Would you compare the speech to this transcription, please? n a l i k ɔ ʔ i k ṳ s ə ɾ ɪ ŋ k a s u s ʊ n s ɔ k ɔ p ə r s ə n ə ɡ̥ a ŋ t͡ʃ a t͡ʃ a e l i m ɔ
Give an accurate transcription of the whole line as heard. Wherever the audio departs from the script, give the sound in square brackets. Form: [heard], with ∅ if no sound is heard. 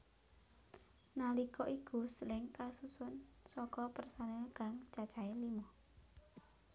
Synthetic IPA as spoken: n a l i k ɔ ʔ i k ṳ s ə [l] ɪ ŋ k a s u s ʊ n s ɔ k ɔ p ə r s [a] n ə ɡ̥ a ŋ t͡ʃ a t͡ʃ a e l i m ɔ